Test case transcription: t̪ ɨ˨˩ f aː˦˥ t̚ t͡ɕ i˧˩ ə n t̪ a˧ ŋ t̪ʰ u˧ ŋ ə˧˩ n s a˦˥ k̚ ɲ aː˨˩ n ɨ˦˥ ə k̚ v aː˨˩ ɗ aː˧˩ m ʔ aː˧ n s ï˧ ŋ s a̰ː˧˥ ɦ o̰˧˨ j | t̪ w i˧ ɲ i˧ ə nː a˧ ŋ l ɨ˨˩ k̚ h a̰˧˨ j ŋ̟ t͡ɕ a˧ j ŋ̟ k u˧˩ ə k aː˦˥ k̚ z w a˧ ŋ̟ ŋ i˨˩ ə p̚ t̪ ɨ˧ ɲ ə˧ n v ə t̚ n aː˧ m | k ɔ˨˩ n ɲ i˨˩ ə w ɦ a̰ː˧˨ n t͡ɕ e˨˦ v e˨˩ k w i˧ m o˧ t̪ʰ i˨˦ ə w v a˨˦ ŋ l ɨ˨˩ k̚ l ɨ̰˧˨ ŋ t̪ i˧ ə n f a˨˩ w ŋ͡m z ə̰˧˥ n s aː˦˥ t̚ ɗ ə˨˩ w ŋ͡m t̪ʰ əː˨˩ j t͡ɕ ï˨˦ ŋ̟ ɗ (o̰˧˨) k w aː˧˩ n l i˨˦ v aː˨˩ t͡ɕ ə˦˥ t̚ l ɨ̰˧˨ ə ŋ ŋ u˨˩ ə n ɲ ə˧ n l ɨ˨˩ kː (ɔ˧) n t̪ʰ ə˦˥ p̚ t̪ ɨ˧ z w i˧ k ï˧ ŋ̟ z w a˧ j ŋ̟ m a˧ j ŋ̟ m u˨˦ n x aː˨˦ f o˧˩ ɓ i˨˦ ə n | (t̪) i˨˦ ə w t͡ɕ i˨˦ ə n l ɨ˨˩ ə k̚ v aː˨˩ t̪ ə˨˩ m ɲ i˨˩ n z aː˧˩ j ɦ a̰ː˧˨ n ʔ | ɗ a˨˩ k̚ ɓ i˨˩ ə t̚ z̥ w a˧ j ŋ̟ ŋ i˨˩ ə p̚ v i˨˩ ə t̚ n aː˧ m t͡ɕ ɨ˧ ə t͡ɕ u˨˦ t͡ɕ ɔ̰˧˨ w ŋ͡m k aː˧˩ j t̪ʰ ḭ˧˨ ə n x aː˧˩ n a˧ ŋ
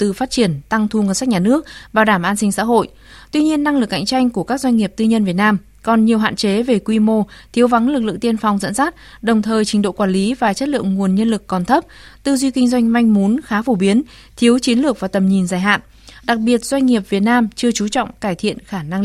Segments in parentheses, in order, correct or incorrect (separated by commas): correct, incorrect, incorrect